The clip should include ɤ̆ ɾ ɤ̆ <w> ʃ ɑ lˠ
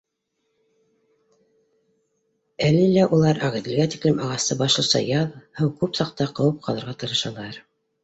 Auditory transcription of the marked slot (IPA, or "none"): none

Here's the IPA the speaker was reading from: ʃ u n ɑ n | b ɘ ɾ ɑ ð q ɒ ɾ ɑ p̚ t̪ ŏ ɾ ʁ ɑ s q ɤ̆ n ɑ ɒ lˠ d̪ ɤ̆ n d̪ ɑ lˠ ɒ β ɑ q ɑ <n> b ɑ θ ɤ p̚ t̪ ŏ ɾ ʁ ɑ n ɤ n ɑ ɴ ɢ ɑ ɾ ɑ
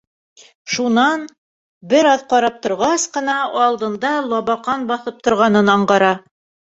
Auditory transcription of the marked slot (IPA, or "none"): n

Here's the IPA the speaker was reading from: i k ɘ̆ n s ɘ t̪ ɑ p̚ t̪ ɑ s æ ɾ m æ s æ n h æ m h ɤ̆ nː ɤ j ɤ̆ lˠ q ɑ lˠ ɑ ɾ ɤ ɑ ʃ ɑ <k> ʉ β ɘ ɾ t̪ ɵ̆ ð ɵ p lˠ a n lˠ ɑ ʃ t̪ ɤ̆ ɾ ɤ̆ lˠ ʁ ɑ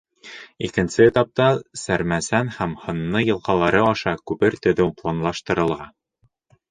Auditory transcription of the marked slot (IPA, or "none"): k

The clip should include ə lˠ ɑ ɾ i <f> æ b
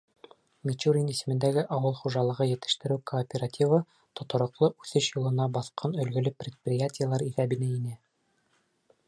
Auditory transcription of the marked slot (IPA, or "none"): θ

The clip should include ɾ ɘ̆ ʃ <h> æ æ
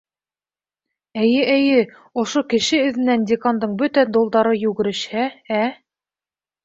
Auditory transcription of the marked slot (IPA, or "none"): h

